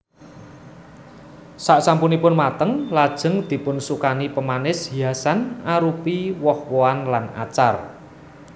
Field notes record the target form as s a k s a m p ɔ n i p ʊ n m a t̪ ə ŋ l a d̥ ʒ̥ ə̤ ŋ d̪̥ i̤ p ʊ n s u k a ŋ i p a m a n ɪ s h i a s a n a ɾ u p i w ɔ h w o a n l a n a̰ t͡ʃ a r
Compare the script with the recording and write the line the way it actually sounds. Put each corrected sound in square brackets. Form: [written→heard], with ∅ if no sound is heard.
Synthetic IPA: s a [k→ʔ] s a m p [ɔ→u] n i p ʊ n m a t̪ ə ŋ l a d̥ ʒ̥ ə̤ ŋ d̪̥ i̤ p ʊ n s u k a [ŋ→n] i p [a→ə] m a n ɪ s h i a s a n a ɾ u p i w ɔ h w o a n l a n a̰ t͡ʃ a r